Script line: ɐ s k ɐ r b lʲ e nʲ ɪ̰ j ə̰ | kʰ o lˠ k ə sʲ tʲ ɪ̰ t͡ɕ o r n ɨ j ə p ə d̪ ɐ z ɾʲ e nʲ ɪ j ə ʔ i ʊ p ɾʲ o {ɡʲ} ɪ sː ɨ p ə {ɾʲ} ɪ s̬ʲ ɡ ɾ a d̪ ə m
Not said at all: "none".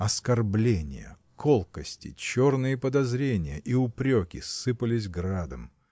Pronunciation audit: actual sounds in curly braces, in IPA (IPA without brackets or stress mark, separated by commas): kʲ, lʲ